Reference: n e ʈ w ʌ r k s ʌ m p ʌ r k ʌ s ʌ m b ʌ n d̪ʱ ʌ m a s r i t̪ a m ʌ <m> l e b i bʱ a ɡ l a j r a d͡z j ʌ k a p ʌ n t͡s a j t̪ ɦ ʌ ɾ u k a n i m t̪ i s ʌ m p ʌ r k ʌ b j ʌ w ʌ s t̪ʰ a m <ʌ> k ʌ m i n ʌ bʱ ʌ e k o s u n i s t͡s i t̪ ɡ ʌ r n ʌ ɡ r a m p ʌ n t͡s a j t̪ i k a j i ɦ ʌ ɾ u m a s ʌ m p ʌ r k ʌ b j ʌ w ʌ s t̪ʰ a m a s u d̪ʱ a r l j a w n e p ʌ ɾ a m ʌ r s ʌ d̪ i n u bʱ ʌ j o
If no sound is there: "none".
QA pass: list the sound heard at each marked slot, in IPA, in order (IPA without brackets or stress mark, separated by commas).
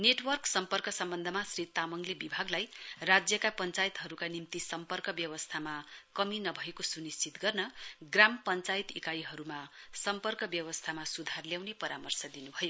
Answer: ŋ, a